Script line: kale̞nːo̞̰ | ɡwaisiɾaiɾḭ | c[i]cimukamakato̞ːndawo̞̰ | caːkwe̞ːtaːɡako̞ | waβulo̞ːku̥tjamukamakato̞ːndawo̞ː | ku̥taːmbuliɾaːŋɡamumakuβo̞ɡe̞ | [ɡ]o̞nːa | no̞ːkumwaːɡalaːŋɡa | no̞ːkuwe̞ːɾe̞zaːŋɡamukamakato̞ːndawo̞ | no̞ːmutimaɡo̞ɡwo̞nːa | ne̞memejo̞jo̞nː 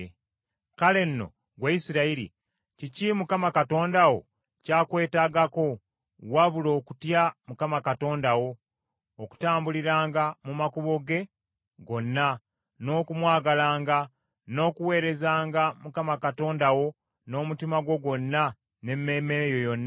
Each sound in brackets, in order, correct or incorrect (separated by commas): correct, correct